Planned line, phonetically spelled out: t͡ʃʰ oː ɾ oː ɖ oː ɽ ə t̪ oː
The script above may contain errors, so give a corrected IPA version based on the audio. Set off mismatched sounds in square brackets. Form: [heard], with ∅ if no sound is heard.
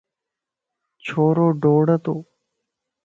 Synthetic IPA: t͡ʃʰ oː ɾ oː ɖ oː ɽ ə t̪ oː